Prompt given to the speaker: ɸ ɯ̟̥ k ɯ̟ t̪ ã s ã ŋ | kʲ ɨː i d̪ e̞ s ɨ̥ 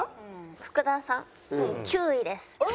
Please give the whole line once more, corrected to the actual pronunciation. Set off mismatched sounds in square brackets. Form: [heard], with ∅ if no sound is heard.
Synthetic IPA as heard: ɸ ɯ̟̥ k ɯ̟ [d̪] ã s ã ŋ | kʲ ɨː i d̪ e̞ s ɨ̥